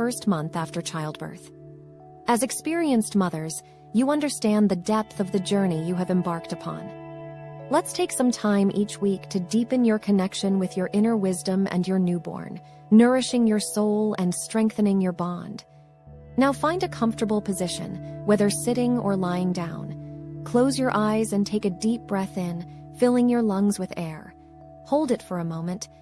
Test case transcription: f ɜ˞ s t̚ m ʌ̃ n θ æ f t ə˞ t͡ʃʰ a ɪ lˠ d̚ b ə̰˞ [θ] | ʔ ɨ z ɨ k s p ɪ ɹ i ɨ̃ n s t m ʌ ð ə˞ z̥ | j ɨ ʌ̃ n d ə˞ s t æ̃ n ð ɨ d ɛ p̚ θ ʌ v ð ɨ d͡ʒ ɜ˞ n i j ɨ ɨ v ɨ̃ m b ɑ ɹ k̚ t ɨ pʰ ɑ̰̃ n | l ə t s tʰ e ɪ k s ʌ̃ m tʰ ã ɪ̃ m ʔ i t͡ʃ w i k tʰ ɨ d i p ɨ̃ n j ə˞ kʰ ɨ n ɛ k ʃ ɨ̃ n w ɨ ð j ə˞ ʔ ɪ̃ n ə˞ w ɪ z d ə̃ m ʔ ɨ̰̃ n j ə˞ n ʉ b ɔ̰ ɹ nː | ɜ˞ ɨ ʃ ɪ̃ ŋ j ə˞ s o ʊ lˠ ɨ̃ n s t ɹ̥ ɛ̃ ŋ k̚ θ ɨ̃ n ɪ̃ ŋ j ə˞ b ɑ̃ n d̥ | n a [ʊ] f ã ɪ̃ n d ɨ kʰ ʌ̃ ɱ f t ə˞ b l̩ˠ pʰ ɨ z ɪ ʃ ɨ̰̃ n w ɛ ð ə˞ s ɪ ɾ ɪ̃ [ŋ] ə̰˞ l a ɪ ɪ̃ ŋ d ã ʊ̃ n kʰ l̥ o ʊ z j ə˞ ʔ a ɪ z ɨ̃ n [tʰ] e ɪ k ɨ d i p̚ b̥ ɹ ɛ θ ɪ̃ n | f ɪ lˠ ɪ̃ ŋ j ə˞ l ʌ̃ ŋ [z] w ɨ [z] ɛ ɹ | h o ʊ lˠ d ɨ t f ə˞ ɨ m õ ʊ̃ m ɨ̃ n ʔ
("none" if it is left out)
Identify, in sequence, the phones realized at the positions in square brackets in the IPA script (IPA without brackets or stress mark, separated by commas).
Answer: θ, ʊ, ŋ, tʰ, z, ð